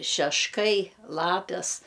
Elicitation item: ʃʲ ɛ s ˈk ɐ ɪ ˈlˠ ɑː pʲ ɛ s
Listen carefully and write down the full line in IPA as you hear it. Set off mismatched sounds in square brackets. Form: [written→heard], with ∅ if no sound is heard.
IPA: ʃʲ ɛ [s→ʃ] ˈk ɐ ɪ ˈlˠ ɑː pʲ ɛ s